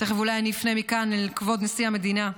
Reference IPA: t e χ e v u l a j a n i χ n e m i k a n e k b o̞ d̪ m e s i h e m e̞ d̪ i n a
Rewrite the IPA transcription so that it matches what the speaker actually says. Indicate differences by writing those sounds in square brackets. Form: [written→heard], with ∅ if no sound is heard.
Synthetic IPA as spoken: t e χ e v u l a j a n i [χ→f] n e m i k a n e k [b→v] o̞ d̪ [m→n] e s i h [e→a] m e̞ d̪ i n a

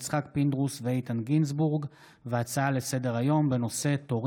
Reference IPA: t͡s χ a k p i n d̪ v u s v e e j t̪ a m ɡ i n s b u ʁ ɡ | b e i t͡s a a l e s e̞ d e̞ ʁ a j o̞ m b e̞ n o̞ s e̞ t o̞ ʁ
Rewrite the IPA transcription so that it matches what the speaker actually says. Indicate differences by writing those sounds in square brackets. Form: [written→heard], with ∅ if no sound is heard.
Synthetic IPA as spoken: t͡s χ a k p i n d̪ [v→ʁ] u s v e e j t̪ a [m→n] ɡ i n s b u ʁ ɡ | [b→v] e [i→a] t͡s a a l e s e̞ d e̞ ʁ a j o̞ m b e̞ n o̞ s e̞ t o̞ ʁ

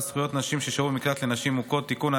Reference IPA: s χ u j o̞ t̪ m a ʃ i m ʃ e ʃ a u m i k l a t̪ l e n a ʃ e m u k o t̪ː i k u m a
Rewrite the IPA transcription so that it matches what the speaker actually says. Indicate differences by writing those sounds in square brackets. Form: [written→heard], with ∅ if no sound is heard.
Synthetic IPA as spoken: s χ u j o̞ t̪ [m→n] a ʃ i m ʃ e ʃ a u m i k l a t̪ l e n a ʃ [e→i] m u k o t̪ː i k u [m→n] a

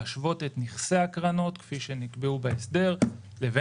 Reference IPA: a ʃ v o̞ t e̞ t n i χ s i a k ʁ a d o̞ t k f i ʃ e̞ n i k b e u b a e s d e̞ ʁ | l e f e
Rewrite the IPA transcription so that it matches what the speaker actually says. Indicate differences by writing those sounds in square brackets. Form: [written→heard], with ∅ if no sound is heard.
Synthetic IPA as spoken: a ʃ v o̞ t e̞ t n i χ s [i→e] a k ʁ a [d→n] o̞ t k f i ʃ e̞ n i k b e u b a e s d e̞ ʁ | l e [f→v] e

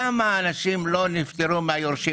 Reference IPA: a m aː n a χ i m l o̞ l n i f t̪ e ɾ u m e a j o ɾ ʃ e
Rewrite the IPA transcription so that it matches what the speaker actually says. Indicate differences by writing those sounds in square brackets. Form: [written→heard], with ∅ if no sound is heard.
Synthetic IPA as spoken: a m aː n a [χ→ʃ] i m l o̞ [l→∅] n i f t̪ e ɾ u m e a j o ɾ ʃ [e→i]

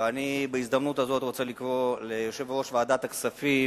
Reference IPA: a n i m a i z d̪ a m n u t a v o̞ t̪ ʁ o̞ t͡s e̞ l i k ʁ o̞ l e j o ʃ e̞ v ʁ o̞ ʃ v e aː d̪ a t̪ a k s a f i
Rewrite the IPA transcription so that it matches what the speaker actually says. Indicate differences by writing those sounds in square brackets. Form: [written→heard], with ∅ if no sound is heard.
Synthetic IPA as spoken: a n i [m→b] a i z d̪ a m n u t a [v→z] o̞ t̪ ʁ o̞ t͡s e̞ l i k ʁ o̞ l e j o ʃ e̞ v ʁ o̞ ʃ v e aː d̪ a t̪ a k s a f i

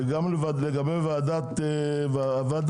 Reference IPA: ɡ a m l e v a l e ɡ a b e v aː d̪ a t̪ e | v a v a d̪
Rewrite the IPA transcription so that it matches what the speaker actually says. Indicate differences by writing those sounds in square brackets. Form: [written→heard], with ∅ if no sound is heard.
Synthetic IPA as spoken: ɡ a m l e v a l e ɡ a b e v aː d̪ a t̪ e | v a v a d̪

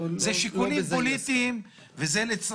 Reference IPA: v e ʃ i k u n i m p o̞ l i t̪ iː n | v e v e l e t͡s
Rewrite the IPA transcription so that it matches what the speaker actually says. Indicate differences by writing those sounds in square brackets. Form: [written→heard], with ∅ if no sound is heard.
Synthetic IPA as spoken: [v→z] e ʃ i k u n i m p o̞ l i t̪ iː [n→m] | v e [v→z] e l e t͡s

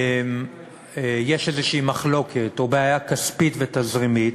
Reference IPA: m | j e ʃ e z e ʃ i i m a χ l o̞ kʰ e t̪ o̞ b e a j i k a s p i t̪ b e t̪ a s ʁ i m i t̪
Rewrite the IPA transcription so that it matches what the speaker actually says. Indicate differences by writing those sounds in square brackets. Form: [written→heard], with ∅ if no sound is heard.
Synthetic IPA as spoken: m | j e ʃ e z e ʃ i i m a χ l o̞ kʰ e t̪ o̞ b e a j [i→a] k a s p i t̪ [b→v] e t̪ a [s→z] ʁ i m i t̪

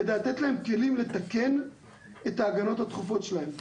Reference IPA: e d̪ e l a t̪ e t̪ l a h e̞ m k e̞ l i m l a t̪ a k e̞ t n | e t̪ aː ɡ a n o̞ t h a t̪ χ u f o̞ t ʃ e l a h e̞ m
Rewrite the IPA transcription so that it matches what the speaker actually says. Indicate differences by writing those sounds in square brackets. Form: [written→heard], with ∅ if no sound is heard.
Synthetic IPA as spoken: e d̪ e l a t̪ e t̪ l a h e̞ m k e̞ l i m l [a→e] t̪ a k e̞ [t→∅] n | e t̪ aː ɡ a n o̞ t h a t̪ χ u f o̞ t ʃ e l a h e̞ m

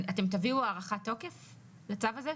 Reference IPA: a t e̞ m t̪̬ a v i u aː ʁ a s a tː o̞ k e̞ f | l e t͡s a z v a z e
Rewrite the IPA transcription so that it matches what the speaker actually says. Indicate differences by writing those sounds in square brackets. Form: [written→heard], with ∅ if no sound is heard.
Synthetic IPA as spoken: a t e̞ m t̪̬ a v i u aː ʁ a [s→χ] a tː o̞ k e̞ f | l e t͡s a [z→∅] v a z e

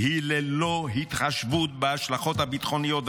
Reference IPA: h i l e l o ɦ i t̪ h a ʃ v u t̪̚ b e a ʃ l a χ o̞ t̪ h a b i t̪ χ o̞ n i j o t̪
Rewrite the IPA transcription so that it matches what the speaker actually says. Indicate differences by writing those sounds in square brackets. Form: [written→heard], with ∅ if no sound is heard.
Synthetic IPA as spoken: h i l e l o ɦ i t̪ [h→χ] a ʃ v u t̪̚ b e a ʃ l a χ o̞ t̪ h a b i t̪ χ o̞ n i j o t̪

